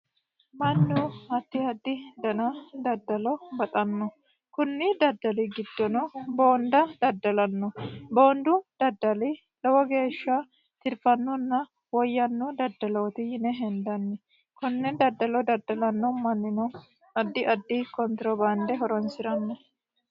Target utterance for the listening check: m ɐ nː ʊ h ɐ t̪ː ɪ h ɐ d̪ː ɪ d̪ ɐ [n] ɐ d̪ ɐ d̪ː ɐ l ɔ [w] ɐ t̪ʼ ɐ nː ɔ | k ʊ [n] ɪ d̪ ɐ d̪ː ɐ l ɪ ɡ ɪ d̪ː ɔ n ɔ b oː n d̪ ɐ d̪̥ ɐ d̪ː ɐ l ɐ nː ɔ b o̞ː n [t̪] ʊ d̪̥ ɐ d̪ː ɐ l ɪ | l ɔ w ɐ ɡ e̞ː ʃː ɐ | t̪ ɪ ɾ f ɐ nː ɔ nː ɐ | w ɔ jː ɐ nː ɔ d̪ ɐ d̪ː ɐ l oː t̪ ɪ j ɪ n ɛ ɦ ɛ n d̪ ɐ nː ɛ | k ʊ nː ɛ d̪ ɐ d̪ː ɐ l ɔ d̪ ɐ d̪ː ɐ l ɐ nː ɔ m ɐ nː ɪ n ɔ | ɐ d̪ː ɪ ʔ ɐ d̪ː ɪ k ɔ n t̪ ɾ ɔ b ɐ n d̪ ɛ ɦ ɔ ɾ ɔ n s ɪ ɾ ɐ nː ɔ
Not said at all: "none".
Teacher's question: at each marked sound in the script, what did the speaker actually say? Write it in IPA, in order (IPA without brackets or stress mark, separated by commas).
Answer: n, b, nː, d̪